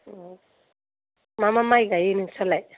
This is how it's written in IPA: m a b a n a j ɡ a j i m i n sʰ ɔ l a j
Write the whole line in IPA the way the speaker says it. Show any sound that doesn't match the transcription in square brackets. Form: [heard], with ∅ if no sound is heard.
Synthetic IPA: m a [m] a [m] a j ɡ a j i [n] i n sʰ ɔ l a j